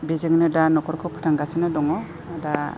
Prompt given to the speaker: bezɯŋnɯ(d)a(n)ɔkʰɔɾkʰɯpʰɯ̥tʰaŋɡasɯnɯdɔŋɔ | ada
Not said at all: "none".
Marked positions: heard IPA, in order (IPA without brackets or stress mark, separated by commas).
d, n